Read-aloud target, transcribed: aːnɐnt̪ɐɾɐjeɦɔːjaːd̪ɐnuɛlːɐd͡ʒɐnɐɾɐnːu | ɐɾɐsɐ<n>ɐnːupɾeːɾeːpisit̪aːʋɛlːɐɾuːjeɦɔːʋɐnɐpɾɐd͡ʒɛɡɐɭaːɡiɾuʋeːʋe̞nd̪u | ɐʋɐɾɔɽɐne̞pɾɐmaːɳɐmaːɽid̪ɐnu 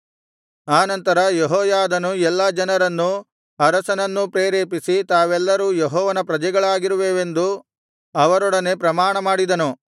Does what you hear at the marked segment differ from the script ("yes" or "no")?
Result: no